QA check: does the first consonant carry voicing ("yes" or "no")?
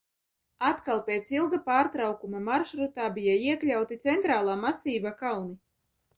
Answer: no